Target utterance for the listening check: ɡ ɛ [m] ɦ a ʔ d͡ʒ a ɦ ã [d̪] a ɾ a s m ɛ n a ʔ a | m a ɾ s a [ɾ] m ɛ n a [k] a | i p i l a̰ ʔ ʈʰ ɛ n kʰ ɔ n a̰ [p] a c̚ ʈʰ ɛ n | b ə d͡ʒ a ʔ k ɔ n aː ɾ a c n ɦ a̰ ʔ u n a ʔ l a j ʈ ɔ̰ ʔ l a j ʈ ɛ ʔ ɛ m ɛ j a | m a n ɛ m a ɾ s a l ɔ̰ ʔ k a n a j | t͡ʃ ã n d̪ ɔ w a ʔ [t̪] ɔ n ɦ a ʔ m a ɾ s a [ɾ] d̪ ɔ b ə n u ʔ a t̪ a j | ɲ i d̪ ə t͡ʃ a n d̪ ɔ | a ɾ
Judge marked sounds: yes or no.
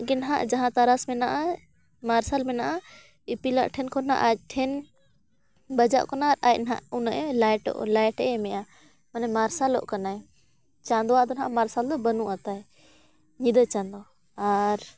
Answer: no, no, no, no, no, no, no

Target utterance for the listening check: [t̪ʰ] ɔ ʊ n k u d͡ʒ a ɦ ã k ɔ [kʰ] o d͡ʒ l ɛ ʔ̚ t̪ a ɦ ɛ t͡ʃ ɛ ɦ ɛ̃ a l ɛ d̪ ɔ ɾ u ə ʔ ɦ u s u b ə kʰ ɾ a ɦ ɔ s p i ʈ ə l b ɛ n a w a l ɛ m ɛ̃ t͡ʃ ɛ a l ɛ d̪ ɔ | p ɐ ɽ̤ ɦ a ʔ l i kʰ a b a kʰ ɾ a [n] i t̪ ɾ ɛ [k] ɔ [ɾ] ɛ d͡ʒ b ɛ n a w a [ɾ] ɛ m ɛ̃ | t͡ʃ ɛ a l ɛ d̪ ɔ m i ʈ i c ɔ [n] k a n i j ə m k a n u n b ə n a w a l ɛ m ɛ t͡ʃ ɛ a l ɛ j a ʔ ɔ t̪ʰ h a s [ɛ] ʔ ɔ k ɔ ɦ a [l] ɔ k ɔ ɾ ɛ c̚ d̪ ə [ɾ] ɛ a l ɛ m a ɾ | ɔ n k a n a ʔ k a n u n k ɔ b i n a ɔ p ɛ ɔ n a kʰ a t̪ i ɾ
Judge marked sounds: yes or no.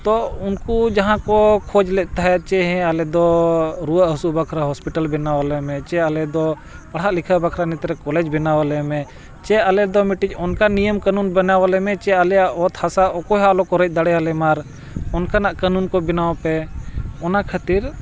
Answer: no, yes, yes, yes, no, no, yes, no, yes, no

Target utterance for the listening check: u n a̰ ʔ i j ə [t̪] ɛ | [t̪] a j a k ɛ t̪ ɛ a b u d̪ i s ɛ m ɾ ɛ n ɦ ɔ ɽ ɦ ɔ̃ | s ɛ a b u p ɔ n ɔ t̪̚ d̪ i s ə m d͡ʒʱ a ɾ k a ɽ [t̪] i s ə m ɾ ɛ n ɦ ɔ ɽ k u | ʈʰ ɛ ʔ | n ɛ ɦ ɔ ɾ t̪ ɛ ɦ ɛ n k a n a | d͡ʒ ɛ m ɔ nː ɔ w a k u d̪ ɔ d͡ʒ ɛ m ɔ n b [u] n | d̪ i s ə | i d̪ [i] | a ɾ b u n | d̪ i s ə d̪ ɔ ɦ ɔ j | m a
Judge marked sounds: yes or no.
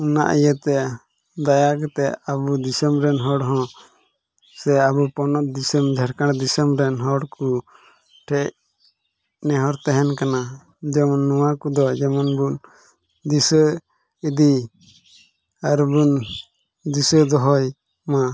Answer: yes, no, no, yes, yes

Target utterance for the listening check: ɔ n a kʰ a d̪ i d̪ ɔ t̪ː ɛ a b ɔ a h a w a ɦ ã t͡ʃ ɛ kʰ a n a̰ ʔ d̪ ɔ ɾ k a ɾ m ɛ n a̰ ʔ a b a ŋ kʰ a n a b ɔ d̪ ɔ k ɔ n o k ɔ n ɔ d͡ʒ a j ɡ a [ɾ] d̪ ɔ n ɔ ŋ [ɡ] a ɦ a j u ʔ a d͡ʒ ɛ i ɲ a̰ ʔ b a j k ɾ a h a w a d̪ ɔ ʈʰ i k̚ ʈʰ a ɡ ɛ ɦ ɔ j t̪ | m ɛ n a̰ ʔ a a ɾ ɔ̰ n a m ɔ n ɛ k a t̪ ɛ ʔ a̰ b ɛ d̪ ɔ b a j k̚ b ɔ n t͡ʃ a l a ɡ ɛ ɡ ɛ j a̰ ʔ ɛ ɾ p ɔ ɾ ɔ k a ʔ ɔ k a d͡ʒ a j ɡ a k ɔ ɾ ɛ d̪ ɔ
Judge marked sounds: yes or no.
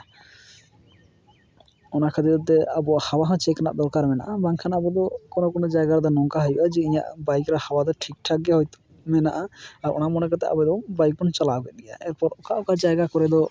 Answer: yes, no

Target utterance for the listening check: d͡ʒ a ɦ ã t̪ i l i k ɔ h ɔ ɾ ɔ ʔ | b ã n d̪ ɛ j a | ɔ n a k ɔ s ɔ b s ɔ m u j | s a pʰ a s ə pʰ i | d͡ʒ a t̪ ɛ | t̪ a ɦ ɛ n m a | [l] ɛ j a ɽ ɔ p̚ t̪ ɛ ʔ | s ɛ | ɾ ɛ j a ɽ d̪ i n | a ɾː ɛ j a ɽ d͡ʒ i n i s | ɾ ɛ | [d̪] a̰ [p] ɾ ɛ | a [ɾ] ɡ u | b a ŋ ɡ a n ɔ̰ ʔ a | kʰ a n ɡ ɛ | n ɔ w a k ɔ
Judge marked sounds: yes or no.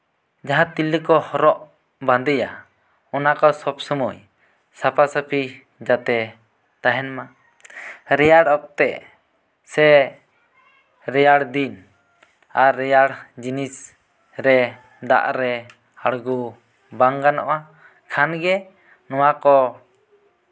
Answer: no, yes, no, no

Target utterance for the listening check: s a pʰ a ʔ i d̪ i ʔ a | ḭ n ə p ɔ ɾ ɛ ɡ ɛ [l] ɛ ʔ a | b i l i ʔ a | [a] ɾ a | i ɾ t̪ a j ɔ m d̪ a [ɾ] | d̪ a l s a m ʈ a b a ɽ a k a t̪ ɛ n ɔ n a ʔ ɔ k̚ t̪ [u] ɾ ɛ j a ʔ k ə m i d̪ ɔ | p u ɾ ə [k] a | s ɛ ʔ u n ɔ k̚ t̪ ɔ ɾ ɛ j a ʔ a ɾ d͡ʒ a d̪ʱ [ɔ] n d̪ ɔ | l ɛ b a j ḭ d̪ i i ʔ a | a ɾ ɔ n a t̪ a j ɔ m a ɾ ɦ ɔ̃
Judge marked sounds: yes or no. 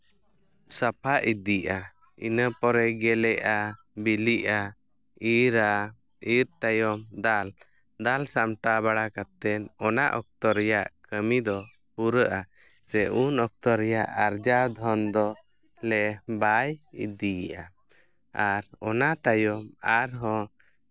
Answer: yes, no, no, no, no, yes

